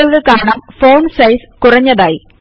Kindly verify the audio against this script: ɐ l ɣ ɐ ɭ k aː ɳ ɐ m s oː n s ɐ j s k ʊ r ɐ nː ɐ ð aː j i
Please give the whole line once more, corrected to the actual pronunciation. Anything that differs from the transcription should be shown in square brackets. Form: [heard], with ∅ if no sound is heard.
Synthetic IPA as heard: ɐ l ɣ ɐ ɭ k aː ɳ ɐ m [f] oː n s ɐ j s k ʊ r ɐ [ɲː] ɐ ð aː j i